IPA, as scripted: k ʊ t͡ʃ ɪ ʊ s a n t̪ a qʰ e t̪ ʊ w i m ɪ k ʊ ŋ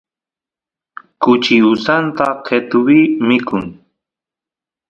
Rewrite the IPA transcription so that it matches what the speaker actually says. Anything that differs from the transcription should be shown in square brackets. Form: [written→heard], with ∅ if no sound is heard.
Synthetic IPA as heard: k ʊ t͡ʃ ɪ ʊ s a n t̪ a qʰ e t̪ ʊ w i m ɪ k ʊ ŋ